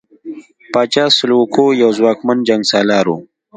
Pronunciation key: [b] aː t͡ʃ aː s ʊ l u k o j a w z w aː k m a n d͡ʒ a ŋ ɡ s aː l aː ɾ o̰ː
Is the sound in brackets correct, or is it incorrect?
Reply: incorrect: p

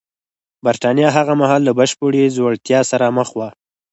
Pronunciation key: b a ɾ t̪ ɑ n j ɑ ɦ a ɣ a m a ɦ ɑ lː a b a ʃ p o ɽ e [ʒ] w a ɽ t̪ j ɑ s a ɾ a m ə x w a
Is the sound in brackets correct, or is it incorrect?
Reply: incorrect: z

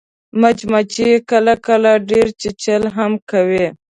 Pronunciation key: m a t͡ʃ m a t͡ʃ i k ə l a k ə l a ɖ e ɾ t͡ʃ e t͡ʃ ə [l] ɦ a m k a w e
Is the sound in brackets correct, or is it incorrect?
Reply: correct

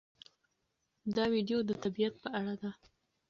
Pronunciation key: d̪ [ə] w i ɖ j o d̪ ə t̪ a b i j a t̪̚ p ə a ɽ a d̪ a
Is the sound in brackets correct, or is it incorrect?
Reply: incorrect: ɑ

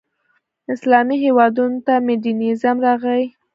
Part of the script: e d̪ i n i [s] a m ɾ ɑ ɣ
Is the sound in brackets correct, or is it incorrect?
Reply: incorrect: z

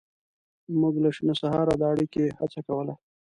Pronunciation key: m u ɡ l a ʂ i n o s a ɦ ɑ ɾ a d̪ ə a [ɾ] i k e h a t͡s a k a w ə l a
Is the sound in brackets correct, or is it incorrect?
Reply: incorrect: ɽ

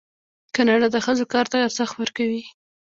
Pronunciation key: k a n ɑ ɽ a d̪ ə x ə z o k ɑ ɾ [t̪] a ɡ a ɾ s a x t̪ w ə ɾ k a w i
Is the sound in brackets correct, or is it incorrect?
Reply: correct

